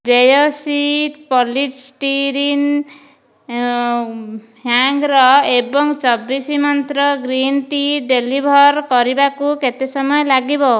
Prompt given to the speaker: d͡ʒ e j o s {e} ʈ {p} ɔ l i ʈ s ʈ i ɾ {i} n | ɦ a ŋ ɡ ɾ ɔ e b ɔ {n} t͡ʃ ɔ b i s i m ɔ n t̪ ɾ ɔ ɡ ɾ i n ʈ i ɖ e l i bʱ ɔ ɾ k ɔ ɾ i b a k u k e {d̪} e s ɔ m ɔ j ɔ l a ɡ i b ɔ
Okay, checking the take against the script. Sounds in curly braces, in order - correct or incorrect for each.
incorrect: i, correct, correct, incorrect: ŋ, incorrect: t̪

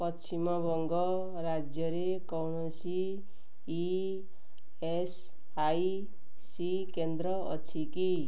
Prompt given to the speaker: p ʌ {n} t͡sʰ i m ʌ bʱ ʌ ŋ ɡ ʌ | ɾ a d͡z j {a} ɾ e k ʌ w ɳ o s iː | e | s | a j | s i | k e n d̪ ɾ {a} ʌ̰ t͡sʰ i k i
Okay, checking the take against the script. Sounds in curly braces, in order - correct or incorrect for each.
incorrect: none, incorrect: ʌ, incorrect: ʌ

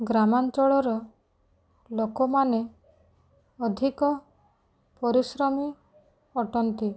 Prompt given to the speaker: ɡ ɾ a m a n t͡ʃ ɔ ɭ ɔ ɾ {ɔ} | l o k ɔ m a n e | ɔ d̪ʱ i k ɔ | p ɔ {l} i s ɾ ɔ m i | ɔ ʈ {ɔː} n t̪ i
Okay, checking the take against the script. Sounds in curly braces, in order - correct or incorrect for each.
correct, incorrect: ɾ, incorrect: ɔ

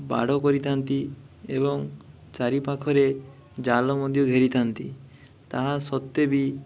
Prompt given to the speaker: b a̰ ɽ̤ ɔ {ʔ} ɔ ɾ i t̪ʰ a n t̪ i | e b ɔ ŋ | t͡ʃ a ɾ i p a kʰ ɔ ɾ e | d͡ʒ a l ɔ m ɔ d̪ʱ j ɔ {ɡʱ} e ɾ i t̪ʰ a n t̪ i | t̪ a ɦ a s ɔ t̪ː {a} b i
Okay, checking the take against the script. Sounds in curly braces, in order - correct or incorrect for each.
incorrect: k, correct, incorrect: e

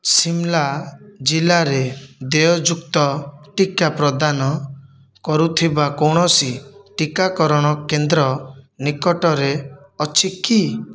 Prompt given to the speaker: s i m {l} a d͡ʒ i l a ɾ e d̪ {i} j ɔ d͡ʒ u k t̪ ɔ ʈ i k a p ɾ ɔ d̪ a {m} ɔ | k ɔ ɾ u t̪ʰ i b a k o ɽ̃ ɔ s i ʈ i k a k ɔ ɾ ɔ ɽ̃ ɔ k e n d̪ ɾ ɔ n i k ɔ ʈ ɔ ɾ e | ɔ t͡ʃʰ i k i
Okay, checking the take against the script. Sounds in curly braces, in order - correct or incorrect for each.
correct, incorrect: e, incorrect: n

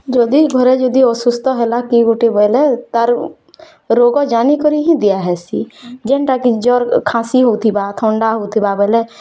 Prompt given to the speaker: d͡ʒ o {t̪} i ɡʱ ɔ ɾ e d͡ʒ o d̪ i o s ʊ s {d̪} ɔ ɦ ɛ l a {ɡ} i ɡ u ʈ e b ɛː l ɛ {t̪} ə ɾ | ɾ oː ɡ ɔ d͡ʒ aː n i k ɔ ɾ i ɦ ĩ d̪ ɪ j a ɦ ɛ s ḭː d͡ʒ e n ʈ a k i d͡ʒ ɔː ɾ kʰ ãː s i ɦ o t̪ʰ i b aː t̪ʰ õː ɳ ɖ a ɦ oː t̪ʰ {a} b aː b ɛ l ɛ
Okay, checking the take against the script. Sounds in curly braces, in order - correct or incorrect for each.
incorrect: d̪, incorrect: t̪, incorrect: k, correct, incorrect: i

